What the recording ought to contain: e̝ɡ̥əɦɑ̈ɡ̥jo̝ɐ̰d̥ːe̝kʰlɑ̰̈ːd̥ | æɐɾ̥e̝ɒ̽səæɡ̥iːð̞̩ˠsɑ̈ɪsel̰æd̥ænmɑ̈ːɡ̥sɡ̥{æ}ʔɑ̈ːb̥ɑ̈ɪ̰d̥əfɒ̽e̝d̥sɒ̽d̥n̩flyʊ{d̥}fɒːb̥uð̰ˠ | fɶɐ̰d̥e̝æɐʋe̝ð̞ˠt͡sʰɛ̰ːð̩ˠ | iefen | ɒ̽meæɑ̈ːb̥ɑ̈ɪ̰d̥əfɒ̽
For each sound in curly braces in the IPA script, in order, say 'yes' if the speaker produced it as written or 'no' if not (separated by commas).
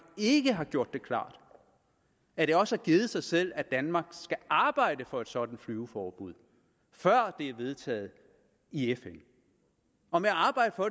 yes, no